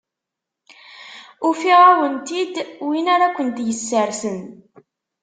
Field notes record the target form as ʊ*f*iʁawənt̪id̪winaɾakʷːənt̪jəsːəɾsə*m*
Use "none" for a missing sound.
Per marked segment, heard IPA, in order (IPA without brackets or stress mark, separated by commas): f, n